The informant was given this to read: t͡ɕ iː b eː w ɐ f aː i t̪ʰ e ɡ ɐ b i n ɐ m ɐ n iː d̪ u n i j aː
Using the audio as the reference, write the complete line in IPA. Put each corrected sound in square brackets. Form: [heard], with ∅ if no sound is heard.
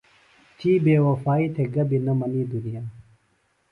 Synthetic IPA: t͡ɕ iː b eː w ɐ f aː i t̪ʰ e ɡ ɐ b i n ɐ m ɐ n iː d̪ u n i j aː

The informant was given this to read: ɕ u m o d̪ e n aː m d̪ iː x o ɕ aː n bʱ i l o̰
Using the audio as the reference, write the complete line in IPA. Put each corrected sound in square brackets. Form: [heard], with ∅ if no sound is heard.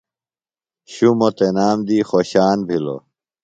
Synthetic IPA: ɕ u m o [t̪] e n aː m d̪ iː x o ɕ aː n bʱ i l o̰

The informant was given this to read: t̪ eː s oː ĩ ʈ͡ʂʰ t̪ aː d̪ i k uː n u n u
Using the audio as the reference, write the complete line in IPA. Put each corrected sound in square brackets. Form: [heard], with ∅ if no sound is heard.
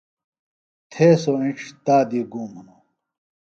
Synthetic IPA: [t̪ʰ] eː s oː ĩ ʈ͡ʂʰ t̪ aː d̪ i [ɡ] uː [m] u n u

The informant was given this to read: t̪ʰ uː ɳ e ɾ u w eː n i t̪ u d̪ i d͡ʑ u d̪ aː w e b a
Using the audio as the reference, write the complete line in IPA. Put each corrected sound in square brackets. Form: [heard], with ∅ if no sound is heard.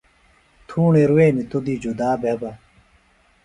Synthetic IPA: t̪ʰ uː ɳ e ɾ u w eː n i t̪ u d̪ i d͡ʑ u d̪ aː [b] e b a

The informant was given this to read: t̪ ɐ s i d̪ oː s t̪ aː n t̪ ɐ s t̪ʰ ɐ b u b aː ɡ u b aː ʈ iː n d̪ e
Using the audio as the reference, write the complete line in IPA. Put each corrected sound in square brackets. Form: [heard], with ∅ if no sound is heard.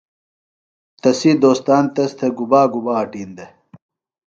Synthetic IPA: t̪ ɐ s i d̪ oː s t̪ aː n t̪ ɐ s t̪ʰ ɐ [ɡ] u b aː ɡ u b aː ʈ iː n d̪ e

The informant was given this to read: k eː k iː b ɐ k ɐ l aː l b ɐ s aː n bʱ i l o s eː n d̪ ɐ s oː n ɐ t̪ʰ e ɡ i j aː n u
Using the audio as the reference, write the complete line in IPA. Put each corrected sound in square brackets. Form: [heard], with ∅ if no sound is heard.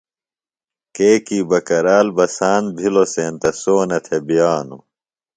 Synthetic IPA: k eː k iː b ɐ k ɐ [ɾ] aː l b ɐ s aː n bʱ i l o s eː n [t̪] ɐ s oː n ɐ t̪ʰ e [b] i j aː n u

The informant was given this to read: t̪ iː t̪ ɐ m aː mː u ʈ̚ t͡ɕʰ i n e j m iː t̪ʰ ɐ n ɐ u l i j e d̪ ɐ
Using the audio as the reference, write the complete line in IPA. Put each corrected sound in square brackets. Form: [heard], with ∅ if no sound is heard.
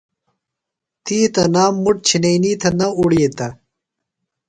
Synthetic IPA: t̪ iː t̪ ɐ [n] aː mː u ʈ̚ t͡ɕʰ i n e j [n] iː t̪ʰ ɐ n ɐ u [ɽ] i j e [t̪] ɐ

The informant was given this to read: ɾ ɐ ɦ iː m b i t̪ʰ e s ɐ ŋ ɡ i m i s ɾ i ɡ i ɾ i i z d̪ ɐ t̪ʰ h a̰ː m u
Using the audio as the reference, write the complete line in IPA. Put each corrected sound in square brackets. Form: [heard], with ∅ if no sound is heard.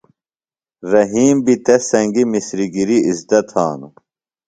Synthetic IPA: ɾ ɐ ɦ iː m b i [t̪] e s ɐ ŋ ɡ i m i s ɾ i ɡ i ɾ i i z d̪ ɐ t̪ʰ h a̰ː [n] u

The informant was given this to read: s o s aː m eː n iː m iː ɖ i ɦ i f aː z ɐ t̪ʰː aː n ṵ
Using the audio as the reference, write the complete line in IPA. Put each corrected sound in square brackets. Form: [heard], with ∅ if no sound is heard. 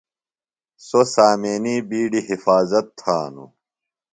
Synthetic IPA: s o s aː m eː n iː [b] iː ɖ i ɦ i f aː z ɐ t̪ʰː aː n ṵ

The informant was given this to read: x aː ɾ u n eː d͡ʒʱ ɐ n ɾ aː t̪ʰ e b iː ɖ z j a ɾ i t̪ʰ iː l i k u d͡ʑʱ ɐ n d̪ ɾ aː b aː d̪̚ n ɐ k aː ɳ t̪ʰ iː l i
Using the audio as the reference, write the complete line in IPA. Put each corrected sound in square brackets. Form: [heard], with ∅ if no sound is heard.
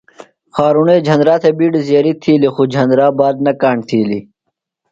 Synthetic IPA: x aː ɾ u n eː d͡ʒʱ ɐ n ɾ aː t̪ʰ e b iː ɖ z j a ɾ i t̪ʰ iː l i [x] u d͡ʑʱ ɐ n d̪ ɾ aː b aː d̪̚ n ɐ k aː ɳ t̪ʰ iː l i

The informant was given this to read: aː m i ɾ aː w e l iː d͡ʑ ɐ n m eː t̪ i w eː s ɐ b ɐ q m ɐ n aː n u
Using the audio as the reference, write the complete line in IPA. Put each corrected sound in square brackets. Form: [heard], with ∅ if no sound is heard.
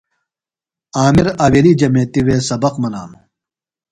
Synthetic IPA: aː m i ɾ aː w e l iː d͡ʑ ɐ [∅] m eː t̪ i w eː s ɐ b ɐ q m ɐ n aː n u

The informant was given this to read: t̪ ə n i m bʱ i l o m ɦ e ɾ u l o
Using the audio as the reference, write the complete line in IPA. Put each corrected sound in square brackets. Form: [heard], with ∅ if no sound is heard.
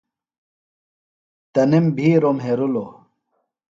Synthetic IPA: t̪ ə n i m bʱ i [ɾ] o m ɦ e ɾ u l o

